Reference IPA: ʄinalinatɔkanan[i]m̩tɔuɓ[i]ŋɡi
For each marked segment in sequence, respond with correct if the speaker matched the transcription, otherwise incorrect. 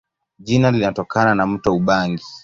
incorrect: a, incorrect: a

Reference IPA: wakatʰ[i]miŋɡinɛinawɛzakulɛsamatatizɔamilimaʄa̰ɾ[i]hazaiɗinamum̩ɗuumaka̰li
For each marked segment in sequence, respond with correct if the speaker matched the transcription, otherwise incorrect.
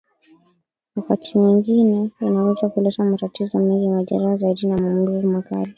correct, incorrect: a

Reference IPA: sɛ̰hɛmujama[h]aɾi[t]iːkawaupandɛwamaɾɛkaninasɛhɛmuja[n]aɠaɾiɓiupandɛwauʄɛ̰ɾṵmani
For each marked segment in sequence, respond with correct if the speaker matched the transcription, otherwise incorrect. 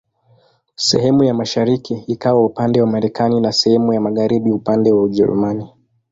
incorrect: ʃ, incorrect: k, incorrect: m

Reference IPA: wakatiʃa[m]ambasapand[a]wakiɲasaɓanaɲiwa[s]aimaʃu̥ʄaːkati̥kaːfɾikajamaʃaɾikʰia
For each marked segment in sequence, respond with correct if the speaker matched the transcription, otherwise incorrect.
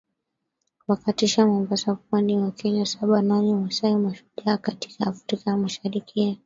correct, incorrect: i, correct

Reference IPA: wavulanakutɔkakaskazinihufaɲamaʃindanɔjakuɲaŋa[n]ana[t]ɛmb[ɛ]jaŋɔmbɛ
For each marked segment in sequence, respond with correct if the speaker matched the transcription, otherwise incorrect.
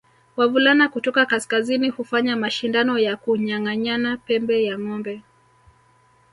incorrect: ɲ, incorrect: p, correct

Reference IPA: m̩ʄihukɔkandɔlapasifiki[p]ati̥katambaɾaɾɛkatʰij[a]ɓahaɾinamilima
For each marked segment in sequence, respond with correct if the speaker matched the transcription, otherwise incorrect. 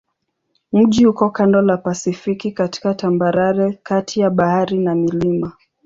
incorrect: k, correct

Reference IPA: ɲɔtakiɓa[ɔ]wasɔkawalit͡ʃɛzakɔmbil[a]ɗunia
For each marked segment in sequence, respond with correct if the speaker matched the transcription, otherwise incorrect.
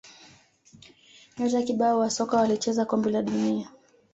correct, correct

